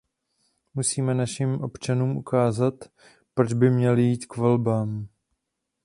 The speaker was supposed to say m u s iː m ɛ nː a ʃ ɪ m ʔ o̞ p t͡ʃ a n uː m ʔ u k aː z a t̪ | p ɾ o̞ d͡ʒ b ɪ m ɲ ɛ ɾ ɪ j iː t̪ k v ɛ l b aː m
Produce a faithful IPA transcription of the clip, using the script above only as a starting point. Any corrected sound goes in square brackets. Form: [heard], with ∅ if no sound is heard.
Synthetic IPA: m u s iː m ɛ [n] a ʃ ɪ m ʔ o̞ p t͡ʃ a n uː m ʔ u k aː z a t̪ | p ɾ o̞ d͡ʒ b ɪ m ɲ ɛ [l] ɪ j iː t̪ k v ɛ l b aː m